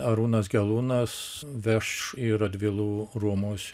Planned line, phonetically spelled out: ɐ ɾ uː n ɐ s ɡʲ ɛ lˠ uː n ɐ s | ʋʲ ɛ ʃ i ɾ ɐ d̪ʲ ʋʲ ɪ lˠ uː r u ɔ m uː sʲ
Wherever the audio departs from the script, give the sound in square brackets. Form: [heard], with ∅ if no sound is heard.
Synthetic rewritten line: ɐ ɾ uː n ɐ s ɡʲ ɛ lˠ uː n ɐ s | ʋʲ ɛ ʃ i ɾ ɐ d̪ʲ ʋʲ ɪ lˠ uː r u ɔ m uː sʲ